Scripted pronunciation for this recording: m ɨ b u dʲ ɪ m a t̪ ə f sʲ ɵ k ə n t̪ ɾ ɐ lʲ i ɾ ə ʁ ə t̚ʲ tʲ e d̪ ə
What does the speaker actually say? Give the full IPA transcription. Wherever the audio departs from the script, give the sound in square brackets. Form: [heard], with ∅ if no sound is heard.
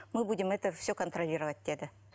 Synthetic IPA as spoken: m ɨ b u dʲ ɪ m [ɛ] t̪ ə f sʲ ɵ k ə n t̪ ɾ ɐ lʲ i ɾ ə [v] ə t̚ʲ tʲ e d̪ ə

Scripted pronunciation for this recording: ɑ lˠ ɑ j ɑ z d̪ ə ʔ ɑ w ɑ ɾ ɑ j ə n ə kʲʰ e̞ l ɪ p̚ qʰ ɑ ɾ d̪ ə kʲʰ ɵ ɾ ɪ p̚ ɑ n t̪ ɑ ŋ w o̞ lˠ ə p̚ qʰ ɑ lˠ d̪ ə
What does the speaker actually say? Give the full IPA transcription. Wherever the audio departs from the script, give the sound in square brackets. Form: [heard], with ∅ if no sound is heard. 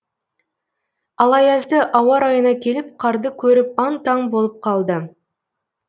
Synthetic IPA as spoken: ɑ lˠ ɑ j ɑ z d̪ ə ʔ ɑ w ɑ ɾ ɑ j ə n [ɑ] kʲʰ e̞ l ɪ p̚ qʰ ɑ ɾ d̪ ə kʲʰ ɵ ɾ ɪ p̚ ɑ n t̪ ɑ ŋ [b] o̞ lˠ ə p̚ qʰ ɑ lˠ d̪ ə

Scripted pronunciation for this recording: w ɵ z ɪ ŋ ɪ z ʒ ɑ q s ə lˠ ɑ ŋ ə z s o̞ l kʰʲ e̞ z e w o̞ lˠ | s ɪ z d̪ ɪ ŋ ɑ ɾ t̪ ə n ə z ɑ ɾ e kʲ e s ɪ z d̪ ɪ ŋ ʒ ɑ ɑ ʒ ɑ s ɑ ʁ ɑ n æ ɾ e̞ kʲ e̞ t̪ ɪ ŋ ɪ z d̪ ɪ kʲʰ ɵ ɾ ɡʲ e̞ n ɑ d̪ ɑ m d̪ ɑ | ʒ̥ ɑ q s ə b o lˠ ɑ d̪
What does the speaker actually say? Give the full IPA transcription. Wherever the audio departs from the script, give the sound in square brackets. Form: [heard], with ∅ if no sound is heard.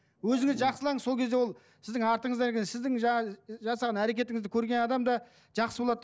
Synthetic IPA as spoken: w ɵ z ɪ ŋ ɪ z ʒ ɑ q s ə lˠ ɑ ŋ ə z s o̞ l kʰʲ e̞ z e w o̞ lˠ | s ɪ z d̪ ɪ ŋ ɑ ɾ t̪ ə [ɴ] ə z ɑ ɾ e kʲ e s ɪ z d̪ ɪ ŋ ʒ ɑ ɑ ʒ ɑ s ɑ ʁ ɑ n æ ɾ e̞ kʲ e̞ t̪ ɪ ŋ ɪ z d̪ ɪ kʲʰ ɵ ɾ ɡʲ e̞ n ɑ d̪ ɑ m d̪ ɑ | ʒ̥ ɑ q s ə b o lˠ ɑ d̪

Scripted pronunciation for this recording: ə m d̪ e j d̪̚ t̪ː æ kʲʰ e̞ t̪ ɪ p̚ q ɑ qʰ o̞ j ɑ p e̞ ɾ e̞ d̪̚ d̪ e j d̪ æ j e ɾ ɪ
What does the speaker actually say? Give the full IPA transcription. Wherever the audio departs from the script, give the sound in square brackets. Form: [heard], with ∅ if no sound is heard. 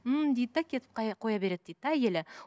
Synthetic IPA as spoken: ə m d̪ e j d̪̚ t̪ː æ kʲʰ e̞ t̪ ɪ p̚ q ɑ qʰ o̞ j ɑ [b] e̞ ɾ e̞ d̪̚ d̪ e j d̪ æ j e [l] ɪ

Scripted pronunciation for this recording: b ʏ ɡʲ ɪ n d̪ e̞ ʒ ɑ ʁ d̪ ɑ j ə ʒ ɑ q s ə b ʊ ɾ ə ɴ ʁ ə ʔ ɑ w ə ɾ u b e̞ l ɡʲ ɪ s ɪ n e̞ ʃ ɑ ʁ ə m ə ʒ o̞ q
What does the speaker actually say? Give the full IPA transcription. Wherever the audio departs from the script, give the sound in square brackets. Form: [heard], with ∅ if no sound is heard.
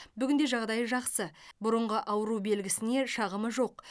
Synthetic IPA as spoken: b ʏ ɡʲ ɪ n d̪ e̞ ʒ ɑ ʁ d̪ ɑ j ə ʒ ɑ q s ə b ʊ ɾ ə ɴ ʁ ə ʔ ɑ w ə ɾ u b e̞ l ɡʲ ɪ s ɪ n e̞ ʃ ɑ ʁ ə m ə ʒ o̞ q

